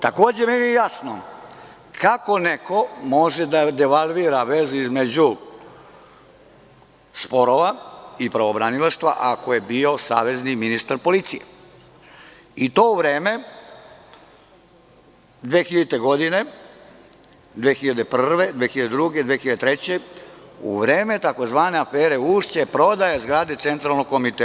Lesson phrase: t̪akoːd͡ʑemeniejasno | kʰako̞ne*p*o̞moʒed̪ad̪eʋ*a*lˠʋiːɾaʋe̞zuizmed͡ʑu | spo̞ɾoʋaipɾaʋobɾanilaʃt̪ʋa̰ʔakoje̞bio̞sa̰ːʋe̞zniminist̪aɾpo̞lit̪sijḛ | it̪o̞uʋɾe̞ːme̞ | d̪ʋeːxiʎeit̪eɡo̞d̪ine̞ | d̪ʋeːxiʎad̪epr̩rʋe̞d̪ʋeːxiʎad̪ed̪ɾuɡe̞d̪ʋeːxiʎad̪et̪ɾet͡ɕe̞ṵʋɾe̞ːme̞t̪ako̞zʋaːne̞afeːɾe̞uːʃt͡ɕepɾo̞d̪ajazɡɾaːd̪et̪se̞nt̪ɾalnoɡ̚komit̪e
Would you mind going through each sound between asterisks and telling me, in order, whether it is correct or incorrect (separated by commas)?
incorrect, correct